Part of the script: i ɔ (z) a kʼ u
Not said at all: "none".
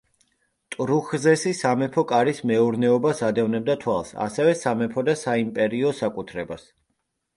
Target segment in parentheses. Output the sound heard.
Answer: s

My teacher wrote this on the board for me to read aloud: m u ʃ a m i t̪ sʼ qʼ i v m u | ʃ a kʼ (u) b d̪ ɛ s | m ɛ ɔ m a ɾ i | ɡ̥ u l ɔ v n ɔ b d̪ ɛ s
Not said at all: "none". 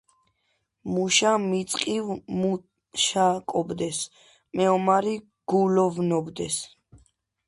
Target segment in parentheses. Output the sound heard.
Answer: ɔ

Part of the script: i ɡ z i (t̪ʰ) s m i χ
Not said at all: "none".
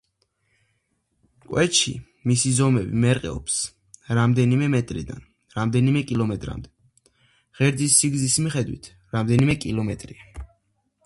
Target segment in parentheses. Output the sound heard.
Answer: none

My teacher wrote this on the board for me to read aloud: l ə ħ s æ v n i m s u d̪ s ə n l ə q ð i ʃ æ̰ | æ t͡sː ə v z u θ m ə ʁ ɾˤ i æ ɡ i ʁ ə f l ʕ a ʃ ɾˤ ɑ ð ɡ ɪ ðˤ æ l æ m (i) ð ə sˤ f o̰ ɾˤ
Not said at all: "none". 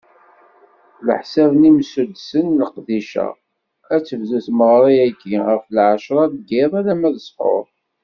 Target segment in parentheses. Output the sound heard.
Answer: æ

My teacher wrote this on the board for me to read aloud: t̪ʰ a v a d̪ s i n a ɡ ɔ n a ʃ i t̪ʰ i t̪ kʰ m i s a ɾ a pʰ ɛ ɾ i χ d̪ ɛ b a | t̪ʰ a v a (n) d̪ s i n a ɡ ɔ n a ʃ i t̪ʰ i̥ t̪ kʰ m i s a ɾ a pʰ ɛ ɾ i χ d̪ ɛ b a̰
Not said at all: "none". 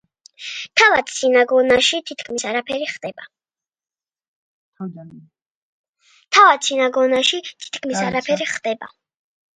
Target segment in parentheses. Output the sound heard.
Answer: none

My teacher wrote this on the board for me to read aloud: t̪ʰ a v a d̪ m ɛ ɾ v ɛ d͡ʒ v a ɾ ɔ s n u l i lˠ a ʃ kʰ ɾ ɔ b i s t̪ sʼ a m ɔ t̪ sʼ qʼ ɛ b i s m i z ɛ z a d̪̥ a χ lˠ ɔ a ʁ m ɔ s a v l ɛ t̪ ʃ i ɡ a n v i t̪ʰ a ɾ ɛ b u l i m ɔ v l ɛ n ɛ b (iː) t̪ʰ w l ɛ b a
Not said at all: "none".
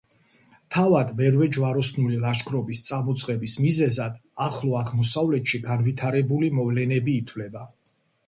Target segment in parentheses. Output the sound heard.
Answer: iː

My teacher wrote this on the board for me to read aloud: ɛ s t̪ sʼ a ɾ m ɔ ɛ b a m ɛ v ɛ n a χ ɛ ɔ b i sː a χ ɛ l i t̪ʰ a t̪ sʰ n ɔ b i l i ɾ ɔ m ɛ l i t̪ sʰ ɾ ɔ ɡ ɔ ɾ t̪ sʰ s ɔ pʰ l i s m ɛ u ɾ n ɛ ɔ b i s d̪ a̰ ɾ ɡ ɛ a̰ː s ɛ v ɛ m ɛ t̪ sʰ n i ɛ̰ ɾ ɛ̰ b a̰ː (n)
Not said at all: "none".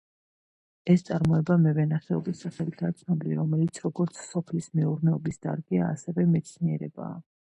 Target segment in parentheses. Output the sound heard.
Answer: none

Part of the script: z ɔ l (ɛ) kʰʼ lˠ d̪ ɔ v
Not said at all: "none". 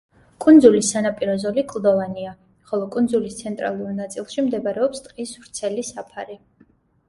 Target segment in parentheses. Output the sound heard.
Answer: i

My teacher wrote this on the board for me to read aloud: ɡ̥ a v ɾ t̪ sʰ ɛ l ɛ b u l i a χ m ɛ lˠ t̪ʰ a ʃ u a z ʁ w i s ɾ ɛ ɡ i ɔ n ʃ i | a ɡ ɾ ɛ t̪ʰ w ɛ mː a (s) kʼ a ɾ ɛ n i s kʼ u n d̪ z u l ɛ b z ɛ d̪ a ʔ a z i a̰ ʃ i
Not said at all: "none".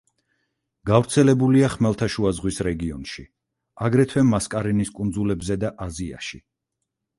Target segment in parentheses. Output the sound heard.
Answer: s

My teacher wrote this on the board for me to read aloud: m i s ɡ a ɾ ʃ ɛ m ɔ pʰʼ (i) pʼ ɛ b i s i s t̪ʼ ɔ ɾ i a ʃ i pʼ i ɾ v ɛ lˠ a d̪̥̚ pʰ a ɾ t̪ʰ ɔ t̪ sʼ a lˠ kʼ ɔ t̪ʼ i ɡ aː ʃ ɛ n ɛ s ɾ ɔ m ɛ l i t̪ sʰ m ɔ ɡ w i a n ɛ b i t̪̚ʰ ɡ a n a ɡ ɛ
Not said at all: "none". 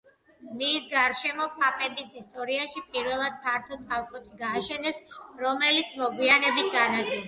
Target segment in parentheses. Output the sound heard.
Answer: a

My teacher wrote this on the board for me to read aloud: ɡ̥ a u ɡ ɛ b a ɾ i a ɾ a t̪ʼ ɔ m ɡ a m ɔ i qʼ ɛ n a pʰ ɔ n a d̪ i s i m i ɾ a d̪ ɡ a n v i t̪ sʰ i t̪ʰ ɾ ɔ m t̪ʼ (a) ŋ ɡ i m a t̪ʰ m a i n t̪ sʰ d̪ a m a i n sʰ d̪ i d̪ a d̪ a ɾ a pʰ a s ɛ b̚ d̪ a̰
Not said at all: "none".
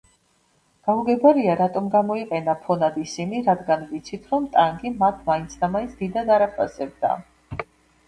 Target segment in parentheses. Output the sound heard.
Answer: a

